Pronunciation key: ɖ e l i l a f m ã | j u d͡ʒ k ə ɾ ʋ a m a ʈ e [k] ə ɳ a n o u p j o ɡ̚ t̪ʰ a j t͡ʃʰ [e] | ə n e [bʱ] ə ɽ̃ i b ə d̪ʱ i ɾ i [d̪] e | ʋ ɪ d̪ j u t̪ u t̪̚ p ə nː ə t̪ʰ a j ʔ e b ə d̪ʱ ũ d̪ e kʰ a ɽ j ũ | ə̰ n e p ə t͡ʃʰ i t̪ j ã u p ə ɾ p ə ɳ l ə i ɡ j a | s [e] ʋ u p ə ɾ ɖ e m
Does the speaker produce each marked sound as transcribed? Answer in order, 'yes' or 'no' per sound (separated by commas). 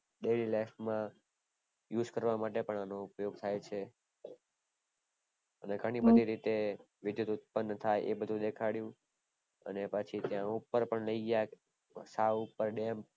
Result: no, yes, no, no, no